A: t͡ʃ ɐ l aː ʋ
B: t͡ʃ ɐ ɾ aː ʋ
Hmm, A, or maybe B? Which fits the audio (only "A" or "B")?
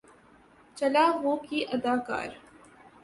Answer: A